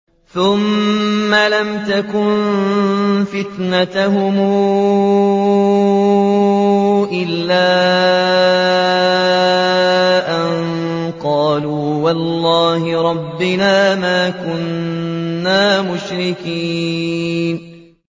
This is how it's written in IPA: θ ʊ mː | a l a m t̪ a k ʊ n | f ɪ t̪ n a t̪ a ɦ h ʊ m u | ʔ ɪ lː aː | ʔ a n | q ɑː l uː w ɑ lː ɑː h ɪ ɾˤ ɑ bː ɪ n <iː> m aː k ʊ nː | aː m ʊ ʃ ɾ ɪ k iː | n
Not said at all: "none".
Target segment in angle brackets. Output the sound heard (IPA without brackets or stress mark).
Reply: aː